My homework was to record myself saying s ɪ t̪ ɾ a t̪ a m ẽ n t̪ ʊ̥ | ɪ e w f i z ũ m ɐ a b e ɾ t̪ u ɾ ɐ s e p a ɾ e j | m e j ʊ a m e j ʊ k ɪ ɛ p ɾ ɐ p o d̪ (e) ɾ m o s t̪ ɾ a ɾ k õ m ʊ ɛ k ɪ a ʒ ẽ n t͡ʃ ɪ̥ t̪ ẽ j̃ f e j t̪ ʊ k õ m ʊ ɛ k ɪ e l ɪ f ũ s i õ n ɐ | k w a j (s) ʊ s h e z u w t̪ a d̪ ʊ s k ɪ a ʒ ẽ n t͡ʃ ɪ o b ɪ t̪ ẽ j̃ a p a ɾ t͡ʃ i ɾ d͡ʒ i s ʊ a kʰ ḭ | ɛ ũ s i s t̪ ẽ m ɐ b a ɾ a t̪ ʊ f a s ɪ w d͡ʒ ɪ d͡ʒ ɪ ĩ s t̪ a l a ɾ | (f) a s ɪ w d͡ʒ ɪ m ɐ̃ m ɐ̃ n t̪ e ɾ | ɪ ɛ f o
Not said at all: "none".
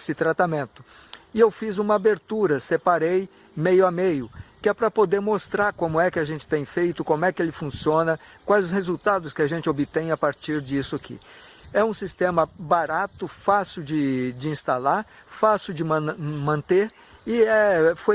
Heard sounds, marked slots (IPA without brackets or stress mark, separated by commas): e, z, f